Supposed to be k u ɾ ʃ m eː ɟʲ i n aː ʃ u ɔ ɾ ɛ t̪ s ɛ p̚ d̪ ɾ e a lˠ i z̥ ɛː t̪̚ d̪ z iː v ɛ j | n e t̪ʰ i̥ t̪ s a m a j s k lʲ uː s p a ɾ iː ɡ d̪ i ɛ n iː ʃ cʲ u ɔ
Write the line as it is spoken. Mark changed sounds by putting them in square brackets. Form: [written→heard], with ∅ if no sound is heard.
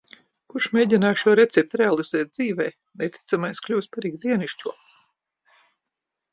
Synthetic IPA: k u ɾ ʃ m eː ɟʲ i n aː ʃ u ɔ ɾ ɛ t̪ s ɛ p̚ [d̪→t̪] ɾ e a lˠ i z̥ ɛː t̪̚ d̪ z iː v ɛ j | n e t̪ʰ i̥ t̪ s a m a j s k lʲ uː s p a ɾ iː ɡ d̪ i ɛ n [iː→i] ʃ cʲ u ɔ